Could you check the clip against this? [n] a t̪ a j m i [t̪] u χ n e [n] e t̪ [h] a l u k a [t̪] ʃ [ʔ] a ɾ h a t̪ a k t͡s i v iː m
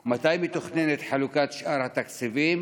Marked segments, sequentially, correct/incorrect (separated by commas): incorrect, correct, correct, incorrect, correct, correct